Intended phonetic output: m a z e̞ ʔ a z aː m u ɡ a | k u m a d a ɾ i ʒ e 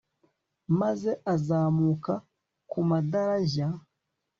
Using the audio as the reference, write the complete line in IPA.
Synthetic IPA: m a z e̞ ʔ a z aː m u k a | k u m a d a ɾ a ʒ a